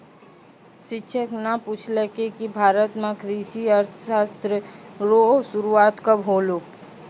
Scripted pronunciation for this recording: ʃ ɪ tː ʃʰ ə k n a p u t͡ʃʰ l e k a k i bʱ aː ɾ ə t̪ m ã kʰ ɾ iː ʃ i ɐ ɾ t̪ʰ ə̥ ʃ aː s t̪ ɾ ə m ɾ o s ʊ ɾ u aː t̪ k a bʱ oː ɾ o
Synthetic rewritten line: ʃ ɪ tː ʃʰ ə k n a p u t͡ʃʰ l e k e k i bʱ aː ɾ ə t̪ m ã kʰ ɾ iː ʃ i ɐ ɾ t̪ʰ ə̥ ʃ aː s t̪ ɾ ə ɾ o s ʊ ɾ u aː t̪ k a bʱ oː l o